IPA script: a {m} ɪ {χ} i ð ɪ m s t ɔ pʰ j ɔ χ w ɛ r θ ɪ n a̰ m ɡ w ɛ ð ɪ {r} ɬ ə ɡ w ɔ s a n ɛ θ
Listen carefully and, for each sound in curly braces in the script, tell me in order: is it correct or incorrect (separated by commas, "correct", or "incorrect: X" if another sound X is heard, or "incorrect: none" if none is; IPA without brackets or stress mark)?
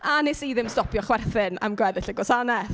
incorrect: n, incorrect: s, incorrect: none